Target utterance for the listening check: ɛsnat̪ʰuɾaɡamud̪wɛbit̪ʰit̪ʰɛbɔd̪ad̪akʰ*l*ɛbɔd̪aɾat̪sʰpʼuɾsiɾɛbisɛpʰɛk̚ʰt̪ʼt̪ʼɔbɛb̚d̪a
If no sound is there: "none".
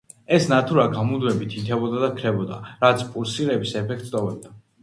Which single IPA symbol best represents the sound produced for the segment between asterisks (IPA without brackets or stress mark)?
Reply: ɾ